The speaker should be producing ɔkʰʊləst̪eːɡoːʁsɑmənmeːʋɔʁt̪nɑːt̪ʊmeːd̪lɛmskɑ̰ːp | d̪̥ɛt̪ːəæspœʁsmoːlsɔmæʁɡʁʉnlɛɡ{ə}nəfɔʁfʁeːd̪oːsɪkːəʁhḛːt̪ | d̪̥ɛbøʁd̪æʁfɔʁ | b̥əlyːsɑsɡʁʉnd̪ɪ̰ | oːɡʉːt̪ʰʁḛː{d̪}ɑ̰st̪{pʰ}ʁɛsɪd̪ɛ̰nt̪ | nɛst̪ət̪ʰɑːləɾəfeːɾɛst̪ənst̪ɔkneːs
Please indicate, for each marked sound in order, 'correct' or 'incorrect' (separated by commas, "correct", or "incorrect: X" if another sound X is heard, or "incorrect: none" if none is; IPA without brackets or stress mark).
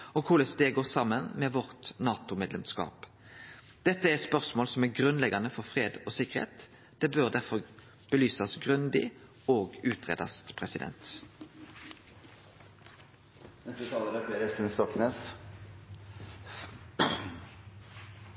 incorrect: ɑ, correct, correct